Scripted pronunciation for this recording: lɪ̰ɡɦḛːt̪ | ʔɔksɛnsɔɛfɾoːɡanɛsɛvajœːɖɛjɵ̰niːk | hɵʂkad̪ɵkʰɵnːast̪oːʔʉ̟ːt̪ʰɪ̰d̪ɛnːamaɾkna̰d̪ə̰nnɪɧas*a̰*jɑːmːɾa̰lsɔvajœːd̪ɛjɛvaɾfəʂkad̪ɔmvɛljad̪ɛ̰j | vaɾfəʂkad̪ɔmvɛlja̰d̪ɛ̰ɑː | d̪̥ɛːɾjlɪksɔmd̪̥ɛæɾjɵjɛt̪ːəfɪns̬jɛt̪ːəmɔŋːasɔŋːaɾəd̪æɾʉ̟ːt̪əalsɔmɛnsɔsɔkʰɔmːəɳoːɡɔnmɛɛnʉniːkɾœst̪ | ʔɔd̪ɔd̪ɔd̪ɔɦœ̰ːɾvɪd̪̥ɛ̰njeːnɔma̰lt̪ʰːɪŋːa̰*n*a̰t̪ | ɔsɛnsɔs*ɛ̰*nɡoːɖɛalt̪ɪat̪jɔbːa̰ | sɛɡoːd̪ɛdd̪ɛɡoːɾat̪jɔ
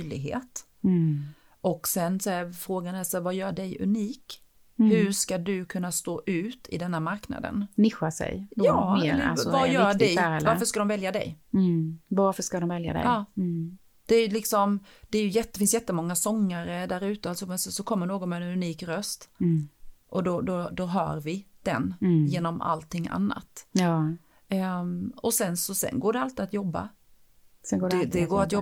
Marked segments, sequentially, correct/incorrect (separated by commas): incorrect, incorrect, correct